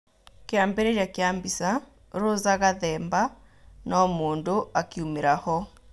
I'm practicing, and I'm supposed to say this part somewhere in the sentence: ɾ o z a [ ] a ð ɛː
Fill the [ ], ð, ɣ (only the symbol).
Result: ɣ